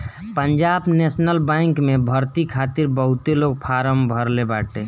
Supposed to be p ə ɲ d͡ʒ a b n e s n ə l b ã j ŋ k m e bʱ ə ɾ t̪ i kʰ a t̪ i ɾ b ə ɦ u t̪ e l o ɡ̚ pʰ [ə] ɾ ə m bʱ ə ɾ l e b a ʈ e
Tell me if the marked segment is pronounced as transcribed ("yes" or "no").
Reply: no